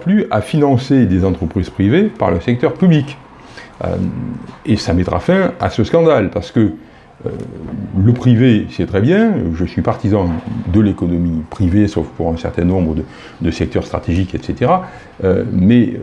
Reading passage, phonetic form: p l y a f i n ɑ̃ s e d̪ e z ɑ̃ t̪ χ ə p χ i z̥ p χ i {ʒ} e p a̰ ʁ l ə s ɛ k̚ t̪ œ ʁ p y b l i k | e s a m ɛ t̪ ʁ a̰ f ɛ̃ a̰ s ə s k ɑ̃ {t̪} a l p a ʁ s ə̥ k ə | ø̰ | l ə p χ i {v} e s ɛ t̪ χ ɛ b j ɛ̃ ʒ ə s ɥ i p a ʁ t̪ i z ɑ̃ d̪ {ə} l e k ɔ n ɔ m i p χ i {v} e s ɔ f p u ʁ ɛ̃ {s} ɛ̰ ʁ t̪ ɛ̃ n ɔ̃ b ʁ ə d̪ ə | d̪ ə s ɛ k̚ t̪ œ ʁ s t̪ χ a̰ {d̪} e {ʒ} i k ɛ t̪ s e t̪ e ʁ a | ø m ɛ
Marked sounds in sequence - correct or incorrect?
incorrect: v, incorrect: d̪, correct, correct, correct, correct, incorrect: t̪, correct

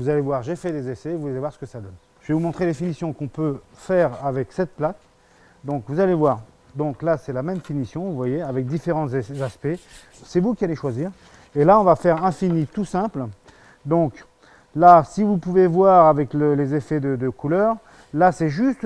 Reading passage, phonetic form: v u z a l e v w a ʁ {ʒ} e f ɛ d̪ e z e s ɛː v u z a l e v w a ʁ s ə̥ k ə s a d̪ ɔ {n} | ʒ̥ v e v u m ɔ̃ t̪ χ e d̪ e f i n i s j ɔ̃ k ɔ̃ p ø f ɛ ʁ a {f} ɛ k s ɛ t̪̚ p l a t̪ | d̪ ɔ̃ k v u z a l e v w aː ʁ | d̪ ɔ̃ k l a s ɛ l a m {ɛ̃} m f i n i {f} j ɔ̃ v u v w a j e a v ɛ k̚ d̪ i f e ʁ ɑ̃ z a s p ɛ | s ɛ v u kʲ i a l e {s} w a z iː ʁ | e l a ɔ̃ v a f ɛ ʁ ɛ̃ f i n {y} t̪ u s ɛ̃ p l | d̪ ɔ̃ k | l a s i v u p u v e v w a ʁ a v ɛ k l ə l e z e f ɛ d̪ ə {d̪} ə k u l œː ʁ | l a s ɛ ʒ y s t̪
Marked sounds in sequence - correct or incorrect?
correct, correct, incorrect: v, incorrect: ɛ, incorrect: s, incorrect: ʃ, incorrect: i, correct

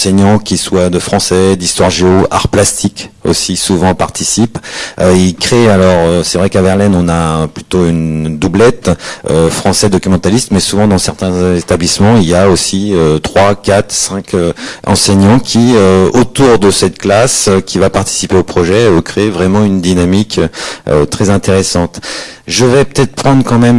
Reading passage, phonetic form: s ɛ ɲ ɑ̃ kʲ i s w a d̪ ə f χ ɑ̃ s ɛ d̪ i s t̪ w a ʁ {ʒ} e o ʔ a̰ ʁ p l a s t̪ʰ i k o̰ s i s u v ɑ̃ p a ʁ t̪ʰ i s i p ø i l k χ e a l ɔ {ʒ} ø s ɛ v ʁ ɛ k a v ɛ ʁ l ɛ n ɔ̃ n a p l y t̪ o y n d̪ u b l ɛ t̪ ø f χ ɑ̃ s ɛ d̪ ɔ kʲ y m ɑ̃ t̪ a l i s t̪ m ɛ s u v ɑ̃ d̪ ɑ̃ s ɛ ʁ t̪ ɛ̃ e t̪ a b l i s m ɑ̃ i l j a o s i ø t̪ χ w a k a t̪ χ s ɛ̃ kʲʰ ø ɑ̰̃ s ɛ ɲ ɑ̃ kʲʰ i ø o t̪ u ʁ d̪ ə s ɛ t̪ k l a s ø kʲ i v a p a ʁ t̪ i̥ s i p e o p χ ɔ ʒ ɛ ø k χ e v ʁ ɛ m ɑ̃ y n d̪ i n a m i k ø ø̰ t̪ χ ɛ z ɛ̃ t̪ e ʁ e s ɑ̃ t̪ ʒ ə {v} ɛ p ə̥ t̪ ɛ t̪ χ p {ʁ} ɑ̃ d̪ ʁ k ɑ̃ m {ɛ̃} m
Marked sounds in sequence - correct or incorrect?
correct, incorrect: ʁ, correct, incorrect: χ, incorrect: ɛ

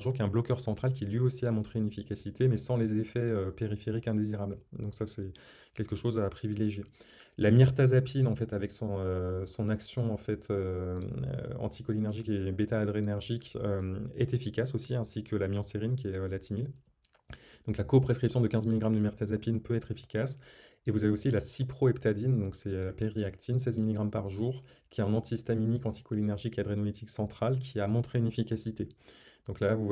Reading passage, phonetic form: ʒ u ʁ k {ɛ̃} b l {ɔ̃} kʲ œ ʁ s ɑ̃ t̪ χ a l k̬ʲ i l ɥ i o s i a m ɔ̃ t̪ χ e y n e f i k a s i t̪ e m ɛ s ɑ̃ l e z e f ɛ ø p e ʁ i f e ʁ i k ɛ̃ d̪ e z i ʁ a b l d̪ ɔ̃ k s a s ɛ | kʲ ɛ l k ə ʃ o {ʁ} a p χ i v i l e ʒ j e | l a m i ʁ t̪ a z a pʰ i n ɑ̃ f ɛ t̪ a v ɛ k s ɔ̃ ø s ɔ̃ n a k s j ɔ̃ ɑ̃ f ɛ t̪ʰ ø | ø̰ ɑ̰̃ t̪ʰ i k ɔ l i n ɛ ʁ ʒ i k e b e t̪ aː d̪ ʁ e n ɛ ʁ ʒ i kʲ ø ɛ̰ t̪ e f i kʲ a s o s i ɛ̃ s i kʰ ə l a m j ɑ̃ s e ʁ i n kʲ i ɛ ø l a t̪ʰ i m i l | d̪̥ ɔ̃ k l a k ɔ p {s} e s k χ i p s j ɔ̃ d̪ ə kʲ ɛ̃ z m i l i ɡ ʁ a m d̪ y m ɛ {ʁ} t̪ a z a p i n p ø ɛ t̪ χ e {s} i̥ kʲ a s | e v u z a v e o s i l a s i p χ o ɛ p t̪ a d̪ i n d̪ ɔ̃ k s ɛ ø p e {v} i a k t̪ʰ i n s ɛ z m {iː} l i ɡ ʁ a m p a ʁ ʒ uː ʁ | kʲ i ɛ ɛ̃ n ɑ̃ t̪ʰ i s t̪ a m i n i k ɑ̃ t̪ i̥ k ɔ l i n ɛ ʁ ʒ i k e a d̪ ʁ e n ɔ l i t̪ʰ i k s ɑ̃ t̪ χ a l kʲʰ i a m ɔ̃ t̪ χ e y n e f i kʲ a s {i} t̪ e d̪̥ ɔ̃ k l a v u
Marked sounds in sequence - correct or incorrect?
correct, incorrect: ɔ, incorrect: z, incorrect: χ, correct, incorrect: f, incorrect: ʁ, incorrect: i, correct

